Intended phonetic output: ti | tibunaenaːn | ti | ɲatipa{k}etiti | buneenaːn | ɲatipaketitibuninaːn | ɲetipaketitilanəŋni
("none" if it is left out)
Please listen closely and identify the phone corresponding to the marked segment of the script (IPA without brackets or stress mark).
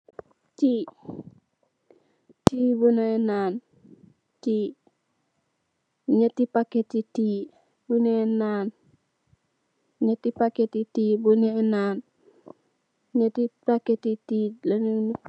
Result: k